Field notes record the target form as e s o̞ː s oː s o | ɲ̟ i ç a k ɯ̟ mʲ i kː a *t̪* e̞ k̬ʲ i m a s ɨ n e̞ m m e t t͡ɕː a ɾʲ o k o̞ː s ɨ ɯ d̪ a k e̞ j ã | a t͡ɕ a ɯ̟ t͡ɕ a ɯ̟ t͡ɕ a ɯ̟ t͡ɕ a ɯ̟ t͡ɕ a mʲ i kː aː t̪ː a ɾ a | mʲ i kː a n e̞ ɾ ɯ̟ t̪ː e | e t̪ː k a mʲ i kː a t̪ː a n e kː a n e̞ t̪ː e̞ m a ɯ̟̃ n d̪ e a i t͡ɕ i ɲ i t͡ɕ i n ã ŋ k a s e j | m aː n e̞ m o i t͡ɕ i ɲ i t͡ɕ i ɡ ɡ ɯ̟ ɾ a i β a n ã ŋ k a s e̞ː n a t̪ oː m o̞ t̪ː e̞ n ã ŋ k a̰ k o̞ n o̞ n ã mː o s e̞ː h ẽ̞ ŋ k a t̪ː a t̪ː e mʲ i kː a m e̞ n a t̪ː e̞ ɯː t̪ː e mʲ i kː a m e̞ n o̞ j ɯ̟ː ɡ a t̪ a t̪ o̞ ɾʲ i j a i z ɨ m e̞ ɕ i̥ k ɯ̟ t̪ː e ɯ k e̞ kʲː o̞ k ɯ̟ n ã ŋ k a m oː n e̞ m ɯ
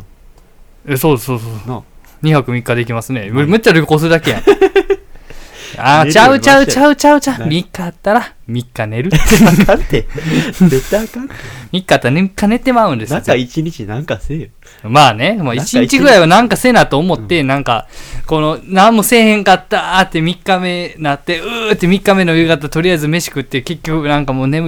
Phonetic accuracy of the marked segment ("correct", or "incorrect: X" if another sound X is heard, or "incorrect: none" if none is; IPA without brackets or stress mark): incorrect: d̪